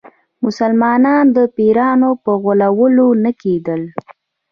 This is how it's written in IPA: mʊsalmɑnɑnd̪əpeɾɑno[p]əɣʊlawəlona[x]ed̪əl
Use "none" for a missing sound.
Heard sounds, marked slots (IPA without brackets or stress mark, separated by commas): p, k